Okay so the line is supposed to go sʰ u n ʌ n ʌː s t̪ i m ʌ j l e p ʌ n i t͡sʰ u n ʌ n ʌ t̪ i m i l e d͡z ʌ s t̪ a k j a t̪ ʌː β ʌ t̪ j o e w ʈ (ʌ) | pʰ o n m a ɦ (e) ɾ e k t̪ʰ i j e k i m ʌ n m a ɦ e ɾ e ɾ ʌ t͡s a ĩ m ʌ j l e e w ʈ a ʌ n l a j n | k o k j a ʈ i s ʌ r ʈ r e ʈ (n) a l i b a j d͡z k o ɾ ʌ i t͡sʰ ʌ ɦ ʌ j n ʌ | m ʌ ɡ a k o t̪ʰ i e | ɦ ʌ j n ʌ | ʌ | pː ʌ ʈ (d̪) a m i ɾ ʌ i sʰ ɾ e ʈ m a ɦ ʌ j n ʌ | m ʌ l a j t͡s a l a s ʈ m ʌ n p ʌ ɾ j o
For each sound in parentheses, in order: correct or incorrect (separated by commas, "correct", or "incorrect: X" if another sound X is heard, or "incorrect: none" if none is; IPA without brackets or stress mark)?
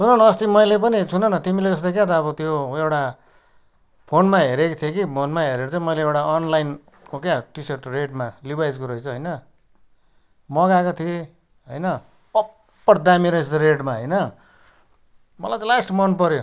incorrect: a, correct, incorrect: m, correct